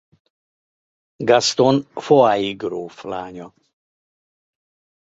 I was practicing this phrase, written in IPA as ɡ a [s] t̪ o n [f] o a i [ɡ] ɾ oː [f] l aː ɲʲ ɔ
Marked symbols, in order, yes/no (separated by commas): yes, yes, yes, yes